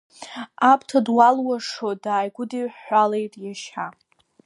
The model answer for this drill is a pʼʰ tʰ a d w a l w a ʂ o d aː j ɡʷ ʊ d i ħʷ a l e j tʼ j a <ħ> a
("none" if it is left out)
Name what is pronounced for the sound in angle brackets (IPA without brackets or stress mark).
ʃ